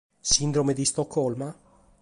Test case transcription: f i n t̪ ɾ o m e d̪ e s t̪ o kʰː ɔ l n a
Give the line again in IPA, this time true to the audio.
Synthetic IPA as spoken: s i n d̪ ɾ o m e d̪ i s t̪ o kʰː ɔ l m a